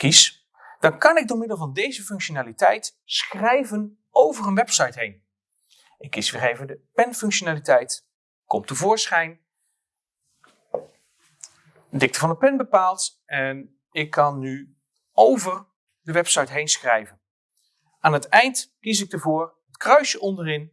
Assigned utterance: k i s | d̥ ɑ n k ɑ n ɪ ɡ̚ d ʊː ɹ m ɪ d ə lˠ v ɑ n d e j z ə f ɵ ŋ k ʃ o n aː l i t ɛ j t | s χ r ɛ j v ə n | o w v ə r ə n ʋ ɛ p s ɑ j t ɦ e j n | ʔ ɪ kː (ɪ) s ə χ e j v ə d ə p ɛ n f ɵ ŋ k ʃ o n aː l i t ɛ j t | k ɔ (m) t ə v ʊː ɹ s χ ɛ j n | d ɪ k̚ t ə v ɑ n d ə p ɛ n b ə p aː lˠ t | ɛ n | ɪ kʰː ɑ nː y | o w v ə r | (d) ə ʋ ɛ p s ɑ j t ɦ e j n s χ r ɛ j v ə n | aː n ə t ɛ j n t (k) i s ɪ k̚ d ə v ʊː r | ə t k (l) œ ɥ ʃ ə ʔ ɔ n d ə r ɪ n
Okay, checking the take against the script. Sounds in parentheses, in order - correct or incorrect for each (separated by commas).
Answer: incorrect, correct, correct, correct, incorrect